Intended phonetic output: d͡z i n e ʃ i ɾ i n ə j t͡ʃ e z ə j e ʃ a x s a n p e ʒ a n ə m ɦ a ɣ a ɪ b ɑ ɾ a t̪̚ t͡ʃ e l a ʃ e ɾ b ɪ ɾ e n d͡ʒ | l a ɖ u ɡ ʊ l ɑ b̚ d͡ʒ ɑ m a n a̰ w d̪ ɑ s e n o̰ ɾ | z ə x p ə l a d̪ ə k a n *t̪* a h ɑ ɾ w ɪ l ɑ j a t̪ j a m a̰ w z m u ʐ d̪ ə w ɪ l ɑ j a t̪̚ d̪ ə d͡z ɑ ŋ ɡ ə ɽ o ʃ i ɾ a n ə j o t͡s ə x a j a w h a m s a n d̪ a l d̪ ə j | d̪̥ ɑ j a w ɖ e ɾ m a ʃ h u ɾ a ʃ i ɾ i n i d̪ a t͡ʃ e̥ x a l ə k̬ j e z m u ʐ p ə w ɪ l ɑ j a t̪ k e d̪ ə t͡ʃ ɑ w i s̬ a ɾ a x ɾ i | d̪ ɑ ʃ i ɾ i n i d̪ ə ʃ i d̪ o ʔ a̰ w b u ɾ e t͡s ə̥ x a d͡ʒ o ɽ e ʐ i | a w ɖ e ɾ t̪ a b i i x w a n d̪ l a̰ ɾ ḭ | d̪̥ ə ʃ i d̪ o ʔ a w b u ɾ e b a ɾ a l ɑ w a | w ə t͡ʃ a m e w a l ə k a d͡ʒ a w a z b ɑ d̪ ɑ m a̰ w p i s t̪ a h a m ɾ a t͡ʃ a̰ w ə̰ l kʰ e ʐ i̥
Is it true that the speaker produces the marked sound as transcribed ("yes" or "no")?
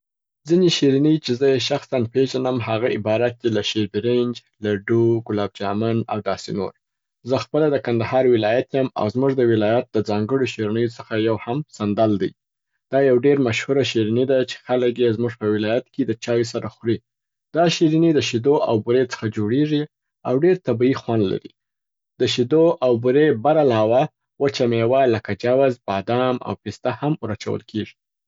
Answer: no